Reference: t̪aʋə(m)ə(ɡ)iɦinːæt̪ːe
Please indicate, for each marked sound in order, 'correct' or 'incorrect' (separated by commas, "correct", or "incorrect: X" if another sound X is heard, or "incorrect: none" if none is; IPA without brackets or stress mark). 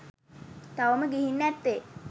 correct, correct